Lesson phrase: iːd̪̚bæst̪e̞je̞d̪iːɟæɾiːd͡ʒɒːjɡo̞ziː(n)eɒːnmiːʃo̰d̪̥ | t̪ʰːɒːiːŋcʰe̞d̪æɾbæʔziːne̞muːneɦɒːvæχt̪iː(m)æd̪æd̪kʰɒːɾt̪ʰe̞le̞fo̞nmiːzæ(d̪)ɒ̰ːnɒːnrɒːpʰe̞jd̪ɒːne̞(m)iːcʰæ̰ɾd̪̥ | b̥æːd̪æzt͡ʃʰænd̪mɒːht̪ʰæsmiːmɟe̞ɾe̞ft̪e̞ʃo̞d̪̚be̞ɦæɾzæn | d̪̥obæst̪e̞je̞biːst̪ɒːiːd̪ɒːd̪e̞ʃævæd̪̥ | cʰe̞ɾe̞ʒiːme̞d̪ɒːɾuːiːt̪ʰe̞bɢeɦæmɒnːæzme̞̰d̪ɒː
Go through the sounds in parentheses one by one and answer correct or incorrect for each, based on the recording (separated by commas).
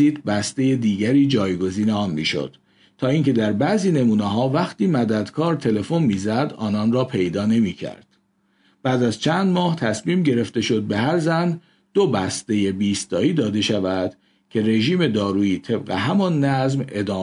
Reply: correct, correct, correct, correct